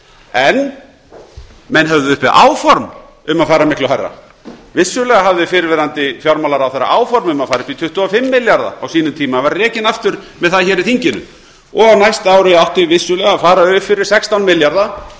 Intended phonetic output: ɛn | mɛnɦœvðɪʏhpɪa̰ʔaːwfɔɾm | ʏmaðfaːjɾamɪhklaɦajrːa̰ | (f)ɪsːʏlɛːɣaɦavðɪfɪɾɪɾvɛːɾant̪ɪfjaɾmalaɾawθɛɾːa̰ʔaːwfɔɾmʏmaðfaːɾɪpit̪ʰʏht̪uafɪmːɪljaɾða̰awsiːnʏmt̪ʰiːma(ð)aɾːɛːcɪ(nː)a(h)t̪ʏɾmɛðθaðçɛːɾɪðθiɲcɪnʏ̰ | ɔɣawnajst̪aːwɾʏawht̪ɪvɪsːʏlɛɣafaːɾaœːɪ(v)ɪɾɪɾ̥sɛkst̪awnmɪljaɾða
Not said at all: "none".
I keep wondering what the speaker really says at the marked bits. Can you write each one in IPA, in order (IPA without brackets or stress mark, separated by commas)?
v, v, n, f, f